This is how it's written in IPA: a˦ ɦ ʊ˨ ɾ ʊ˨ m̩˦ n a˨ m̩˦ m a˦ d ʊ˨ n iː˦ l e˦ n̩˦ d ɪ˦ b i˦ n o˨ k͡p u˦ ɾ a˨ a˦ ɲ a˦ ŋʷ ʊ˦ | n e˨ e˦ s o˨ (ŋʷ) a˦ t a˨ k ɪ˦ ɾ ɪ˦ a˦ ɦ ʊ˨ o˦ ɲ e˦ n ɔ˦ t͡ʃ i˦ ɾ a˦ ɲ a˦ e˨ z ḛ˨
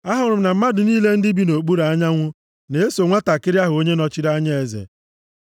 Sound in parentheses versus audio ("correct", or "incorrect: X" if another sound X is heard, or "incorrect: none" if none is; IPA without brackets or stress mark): correct